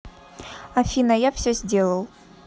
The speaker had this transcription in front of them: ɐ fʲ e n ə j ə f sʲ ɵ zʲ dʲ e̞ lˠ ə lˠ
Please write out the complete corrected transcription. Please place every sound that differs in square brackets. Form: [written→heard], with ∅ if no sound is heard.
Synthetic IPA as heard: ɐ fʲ [e→i] n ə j [ə→a] f sʲ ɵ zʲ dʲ e̞ lˠ ə lˠ